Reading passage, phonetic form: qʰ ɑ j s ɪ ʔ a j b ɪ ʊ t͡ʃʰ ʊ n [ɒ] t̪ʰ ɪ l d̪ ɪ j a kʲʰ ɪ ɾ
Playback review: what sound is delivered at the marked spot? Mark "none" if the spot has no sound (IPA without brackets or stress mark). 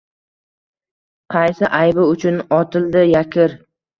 ɒ